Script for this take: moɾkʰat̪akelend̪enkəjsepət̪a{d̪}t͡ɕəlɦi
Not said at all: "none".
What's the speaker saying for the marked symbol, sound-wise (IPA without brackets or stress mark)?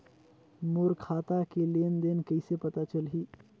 none